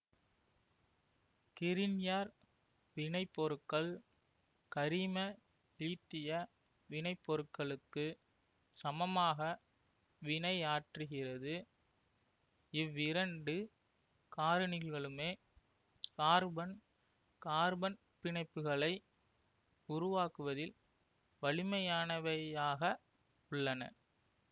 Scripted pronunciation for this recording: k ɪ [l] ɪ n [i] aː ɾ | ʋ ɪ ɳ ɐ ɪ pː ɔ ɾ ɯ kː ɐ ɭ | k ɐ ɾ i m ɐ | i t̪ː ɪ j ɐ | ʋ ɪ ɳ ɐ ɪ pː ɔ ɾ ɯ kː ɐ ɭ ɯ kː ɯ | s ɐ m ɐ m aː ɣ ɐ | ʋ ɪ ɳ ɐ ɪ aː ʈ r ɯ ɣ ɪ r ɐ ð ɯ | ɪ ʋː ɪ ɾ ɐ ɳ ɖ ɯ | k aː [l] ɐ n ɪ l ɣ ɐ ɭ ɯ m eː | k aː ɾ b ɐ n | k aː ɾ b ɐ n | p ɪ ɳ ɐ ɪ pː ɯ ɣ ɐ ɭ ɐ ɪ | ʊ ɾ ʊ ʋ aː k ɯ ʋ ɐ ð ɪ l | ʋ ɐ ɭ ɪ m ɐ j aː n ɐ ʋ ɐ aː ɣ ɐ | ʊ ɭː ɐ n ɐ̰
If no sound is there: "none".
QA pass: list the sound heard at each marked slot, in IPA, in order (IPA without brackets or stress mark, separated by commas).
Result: ɾ, j, ɾ